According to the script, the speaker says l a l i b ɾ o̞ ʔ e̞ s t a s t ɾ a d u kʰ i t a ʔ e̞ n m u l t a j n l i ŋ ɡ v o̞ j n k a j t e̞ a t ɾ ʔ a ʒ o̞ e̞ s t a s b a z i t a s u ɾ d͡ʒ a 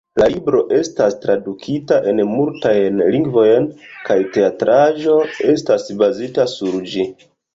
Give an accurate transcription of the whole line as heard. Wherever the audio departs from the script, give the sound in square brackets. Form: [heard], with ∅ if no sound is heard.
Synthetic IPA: l a l i b ɾ o̞ ʔ e̞ s t a s t ɾ a d u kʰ i t a ʔ e̞ n m u l t a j n l i ŋ ɡ v o̞ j n k a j t e̞ a t ɾ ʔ a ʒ o̞ e̞ s t a s b a z i t a s u ɾ d͡ʒ [i]